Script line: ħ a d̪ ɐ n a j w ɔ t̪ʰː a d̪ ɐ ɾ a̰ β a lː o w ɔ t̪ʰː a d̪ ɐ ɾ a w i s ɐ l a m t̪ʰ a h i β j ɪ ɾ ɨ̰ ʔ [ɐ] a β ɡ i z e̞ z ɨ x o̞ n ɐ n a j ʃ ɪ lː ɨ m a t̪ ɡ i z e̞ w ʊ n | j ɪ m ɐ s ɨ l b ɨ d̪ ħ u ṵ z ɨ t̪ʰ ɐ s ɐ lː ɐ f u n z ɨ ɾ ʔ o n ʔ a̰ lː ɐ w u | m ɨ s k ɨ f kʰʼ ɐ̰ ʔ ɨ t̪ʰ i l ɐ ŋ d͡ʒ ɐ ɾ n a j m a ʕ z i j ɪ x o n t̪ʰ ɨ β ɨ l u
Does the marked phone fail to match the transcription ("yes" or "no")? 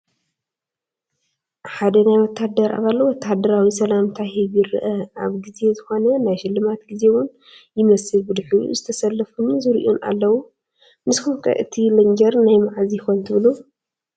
no